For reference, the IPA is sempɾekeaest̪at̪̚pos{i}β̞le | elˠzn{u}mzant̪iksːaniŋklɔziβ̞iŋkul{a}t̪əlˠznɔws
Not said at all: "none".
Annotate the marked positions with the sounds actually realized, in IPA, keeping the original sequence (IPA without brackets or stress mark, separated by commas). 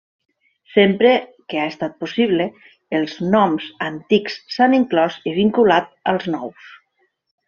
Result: i, ɔ, a